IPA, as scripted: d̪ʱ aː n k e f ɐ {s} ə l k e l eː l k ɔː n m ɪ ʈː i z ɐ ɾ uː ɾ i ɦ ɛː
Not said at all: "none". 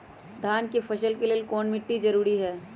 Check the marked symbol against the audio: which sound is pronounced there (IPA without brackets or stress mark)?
ʃ